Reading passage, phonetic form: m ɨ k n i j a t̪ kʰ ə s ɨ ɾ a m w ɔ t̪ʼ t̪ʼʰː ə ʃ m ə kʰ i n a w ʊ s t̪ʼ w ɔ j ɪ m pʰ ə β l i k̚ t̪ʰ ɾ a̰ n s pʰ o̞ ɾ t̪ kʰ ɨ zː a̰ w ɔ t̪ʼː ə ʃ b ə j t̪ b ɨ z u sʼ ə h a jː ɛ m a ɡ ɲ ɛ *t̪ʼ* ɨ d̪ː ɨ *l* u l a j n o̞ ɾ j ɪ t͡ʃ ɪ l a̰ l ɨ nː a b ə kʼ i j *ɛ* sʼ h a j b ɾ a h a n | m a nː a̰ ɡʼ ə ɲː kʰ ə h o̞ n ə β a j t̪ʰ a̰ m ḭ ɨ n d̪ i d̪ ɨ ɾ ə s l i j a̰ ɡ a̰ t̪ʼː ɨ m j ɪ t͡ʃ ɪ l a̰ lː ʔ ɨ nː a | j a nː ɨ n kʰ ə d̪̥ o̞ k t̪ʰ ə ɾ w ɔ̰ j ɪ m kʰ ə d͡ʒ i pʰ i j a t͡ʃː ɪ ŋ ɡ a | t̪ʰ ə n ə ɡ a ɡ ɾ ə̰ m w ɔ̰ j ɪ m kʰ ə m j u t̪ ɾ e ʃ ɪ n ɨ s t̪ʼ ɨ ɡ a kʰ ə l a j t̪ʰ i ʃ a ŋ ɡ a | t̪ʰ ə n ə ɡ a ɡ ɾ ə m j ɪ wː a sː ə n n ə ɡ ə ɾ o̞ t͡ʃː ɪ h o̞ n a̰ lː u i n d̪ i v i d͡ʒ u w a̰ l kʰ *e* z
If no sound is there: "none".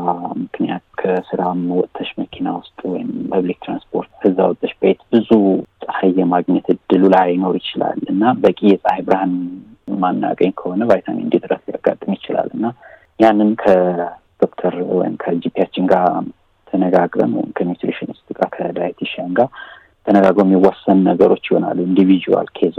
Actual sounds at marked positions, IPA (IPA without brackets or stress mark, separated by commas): t̪, l, ɛ, e